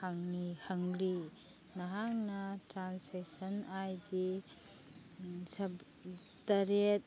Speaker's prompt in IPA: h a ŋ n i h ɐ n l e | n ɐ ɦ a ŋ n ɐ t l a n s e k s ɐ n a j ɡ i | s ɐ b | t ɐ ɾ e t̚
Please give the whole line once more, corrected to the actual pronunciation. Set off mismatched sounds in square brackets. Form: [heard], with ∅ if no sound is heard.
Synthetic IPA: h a ŋ n i h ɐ [ŋ] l [i] | n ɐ ɦ a ŋ n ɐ t [ɾ] a n s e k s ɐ n a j [d] i | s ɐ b | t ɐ ɾ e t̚

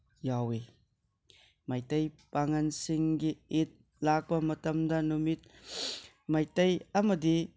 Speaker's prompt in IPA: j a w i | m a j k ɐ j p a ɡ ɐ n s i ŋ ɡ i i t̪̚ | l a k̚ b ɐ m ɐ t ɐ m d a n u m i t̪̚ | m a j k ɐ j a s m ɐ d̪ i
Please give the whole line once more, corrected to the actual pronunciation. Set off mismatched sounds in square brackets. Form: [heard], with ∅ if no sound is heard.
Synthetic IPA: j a w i | m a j [t] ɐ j p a [ŋ] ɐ n s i ŋ ɡ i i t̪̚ | l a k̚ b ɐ m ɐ t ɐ m d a n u m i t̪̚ | m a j [t] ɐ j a [∅] m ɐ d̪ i

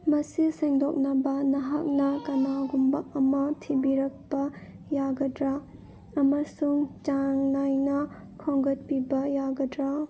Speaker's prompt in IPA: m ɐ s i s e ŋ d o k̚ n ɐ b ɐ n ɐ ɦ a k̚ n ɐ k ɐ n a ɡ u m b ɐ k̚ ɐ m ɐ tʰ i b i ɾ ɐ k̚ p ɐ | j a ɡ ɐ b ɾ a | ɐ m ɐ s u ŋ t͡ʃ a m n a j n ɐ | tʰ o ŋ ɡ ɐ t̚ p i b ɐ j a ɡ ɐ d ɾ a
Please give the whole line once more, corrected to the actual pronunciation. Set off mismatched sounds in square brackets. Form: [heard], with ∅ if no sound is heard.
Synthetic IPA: m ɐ s i s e ŋ d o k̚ n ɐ b ɐ n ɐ ɦ a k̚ n ɐ k ɐ n a ɡ u m b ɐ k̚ ɐ m ɐ tʰ i b i ɾ ɐ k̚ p ɐ | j a ɡ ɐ [d] ɾ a | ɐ m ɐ s u ŋ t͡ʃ a [ŋ] n a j n ɐ | [kʰ] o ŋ ɡ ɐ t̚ p i b ɐ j a ɡ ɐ d ɾ a

